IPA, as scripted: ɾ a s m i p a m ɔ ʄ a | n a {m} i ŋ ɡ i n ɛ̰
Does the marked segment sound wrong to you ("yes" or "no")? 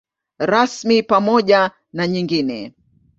yes